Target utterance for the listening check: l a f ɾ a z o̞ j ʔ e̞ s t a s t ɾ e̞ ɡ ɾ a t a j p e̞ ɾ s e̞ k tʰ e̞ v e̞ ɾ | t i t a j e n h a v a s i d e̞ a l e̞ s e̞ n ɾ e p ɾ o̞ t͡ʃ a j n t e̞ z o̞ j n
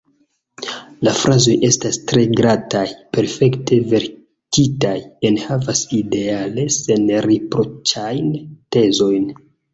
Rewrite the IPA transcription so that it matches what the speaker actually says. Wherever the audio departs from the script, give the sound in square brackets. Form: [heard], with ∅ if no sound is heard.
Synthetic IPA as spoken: l a f ɾ a z o̞ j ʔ e̞ s t a s t ɾ e̞ ɡ ɾ a t a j p e̞ ɾ [f] e̞ k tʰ e̞ v e̞ ɾ | t i t a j e n h a v a s i d e̞ a l e̞ s e̞ n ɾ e p ɾ o̞ t͡ʃ a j n t e̞ z o̞ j n